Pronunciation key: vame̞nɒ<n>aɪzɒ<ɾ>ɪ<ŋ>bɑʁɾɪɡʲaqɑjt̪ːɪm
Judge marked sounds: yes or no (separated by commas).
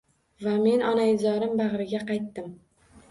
yes, yes, no